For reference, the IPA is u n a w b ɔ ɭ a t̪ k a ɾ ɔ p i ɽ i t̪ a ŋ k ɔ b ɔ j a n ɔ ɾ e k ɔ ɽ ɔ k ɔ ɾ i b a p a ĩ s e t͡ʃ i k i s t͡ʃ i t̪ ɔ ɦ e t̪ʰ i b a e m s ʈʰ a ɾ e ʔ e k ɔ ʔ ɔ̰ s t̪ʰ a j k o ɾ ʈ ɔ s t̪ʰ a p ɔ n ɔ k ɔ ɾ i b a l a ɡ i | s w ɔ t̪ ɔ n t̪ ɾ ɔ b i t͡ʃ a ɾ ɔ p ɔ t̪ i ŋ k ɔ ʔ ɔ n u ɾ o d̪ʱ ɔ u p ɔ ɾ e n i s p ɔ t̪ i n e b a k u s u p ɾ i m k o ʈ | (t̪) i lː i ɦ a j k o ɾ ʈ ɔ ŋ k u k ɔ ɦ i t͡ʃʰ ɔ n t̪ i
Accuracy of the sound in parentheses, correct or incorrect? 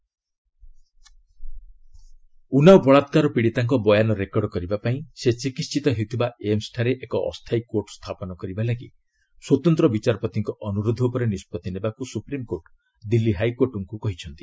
incorrect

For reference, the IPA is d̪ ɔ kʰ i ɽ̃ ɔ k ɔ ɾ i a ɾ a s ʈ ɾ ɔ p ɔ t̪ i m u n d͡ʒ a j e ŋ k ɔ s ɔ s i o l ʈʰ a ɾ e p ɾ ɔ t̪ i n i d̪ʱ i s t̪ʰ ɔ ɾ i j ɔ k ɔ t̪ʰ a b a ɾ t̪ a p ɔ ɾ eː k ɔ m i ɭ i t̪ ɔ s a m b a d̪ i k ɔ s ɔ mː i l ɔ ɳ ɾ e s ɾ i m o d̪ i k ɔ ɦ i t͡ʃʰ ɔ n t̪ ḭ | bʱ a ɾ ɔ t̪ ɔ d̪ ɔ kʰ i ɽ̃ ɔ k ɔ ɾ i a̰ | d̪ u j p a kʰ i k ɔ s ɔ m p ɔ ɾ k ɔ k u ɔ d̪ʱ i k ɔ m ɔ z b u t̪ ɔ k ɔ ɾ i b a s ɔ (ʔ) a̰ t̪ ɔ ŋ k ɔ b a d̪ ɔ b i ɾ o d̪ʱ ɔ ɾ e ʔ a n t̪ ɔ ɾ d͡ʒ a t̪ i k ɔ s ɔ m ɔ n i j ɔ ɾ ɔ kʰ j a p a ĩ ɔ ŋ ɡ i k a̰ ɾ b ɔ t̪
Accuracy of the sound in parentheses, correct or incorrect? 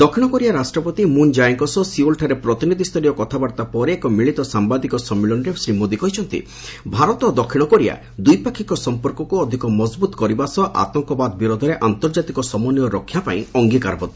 correct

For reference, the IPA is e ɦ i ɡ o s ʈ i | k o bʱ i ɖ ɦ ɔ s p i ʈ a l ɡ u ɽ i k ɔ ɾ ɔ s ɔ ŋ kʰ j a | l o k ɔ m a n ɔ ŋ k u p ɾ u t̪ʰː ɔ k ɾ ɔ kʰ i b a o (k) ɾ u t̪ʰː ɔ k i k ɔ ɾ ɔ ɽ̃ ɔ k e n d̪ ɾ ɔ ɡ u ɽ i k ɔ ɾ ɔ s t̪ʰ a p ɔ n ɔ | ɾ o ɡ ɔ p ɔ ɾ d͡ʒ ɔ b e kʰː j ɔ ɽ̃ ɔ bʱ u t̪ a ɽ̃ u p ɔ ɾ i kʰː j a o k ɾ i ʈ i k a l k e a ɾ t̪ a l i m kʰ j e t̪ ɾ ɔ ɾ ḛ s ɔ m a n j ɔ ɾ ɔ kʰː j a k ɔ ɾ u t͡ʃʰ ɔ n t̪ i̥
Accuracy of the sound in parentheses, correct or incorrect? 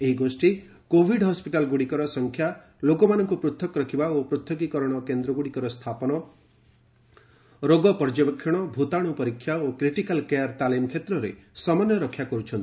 incorrect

